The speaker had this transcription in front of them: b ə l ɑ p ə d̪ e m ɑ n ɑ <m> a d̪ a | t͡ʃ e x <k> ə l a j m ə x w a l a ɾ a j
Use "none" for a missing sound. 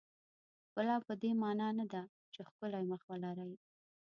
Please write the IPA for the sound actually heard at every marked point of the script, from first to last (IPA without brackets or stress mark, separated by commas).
n, k